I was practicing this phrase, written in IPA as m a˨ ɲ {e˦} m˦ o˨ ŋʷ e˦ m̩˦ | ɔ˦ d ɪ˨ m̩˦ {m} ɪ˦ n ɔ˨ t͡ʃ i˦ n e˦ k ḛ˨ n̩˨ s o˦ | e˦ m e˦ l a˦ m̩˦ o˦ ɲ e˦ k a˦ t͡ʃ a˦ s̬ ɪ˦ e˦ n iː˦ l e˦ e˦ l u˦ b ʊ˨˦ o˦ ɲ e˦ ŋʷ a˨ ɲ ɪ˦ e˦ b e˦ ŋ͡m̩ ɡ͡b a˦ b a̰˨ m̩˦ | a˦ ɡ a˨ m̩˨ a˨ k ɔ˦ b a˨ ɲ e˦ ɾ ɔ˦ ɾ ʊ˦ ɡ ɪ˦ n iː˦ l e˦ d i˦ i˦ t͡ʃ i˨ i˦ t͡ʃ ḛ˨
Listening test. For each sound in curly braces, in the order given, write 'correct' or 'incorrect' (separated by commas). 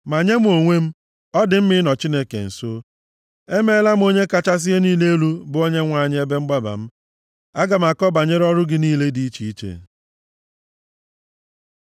correct, correct